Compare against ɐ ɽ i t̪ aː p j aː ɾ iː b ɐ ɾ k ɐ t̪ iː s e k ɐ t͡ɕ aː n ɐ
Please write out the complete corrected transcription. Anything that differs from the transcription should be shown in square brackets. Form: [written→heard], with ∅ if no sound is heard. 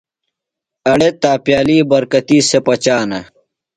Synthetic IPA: ɐ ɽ [i→e] t̪ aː p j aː [ɾ→l] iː b ɐ ɾ k ɐ t̪ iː s e [k→p] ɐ t͡ɕ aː n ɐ